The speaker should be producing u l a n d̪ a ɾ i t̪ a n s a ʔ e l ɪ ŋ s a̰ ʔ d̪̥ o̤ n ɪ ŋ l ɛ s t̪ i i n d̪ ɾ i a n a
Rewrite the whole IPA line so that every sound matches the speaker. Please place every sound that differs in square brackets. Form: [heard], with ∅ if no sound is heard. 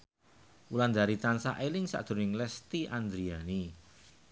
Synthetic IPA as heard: u l a n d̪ a ɾ i t̪ a n s a ʔ e l ɪ ŋ s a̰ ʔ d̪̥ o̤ n ɪ ŋ l ɛ s t̪ i [a] n d̪ ɾ i a n [i]